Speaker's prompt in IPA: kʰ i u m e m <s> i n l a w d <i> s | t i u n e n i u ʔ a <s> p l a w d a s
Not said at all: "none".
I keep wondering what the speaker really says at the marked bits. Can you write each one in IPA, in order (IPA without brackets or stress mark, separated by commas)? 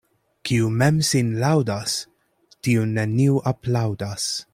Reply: s, a, none